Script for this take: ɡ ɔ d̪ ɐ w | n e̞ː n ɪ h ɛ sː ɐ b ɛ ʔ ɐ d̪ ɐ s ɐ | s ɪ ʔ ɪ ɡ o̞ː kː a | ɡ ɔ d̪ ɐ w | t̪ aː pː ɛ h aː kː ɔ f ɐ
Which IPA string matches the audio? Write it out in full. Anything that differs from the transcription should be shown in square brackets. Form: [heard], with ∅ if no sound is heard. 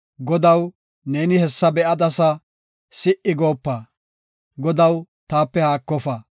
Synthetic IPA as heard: ɡ ɔ d̪ ɐ w | n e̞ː n ɪ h ɛ sː ɐ b ɛ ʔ ɐ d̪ ɐ s ɐ | s ɪ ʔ ɪ ɡ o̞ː [pː] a | ɡ ɔ d̪ ɐ w | t̪ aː pː ɛ h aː kː ɔ f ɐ